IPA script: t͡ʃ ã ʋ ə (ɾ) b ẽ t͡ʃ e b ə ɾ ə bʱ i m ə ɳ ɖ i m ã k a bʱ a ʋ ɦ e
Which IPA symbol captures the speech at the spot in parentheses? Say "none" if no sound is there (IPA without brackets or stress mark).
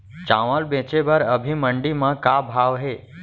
l